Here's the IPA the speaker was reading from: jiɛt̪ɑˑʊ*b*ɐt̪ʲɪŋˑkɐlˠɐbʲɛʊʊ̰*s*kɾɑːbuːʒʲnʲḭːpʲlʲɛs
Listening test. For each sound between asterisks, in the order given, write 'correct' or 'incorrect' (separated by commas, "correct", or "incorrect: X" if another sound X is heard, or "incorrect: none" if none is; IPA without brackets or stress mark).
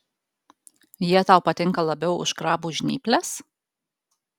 incorrect: p, incorrect: ʃ